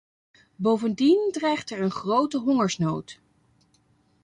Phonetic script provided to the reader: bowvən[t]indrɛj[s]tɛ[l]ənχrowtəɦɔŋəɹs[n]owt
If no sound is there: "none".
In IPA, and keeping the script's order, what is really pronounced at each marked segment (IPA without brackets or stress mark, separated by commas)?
d, χ, ɹ, n